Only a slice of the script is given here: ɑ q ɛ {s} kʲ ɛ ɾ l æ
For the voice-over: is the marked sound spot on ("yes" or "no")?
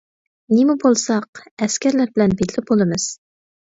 yes